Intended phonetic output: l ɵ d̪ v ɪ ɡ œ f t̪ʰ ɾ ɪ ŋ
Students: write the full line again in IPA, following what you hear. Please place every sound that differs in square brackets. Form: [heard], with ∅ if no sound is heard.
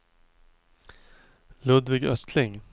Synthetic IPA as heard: l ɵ d̪ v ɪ ɡ œ [s] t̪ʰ [l] ɪ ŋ